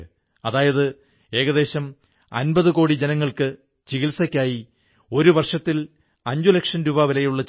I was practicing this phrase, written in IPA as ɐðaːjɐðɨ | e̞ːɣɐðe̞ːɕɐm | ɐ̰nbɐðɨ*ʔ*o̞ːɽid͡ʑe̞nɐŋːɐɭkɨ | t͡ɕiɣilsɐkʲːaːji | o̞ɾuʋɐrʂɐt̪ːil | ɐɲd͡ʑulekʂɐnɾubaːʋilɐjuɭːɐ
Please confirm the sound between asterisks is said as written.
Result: no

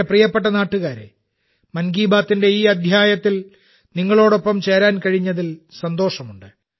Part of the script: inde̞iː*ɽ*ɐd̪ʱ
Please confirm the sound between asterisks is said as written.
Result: no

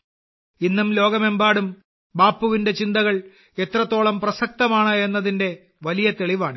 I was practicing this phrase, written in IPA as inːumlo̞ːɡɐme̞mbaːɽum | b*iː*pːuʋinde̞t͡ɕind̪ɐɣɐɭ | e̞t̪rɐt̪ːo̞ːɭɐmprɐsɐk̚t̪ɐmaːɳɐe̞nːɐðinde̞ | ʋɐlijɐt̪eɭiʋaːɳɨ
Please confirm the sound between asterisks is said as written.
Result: no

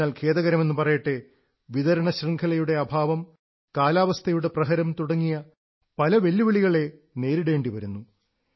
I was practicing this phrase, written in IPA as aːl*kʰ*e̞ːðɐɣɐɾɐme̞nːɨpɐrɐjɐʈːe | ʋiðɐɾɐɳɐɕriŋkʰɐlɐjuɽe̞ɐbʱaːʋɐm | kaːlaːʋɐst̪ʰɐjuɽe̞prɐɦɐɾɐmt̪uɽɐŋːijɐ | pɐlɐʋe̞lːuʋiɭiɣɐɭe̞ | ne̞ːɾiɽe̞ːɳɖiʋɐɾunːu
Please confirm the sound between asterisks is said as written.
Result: yes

